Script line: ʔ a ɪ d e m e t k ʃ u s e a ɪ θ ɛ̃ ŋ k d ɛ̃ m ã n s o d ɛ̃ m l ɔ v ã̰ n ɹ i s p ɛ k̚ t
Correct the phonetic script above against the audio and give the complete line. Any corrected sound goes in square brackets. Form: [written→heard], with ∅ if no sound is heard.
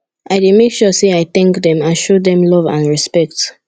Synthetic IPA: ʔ a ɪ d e m e [t→∅] k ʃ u s e a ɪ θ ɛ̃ ŋ k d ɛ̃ m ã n [s→ʃ] o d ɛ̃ m l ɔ v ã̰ n ɹ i s p ɛ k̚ t